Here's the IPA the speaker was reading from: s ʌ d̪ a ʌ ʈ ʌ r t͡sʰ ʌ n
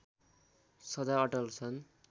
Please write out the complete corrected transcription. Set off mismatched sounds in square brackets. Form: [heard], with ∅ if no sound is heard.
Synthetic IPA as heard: s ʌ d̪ a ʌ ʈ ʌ [l] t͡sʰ ʌ n